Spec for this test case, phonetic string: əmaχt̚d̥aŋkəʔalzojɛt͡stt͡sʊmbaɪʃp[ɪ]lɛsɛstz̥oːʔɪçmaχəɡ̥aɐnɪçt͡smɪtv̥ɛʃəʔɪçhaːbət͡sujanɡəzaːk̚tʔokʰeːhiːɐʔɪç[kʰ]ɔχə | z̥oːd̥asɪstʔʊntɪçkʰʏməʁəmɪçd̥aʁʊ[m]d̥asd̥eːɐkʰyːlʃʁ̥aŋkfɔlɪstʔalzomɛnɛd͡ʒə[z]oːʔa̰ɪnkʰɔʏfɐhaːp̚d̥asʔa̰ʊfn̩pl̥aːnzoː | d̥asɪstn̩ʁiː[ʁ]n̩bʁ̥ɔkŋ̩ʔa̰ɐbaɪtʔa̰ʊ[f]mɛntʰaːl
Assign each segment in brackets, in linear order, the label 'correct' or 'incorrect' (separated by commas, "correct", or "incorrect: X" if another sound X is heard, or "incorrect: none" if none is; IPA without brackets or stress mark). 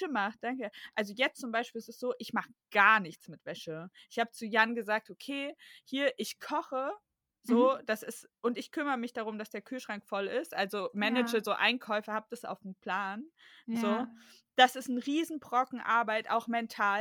incorrect: i, correct, correct, correct, incorrect: z, incorrect: x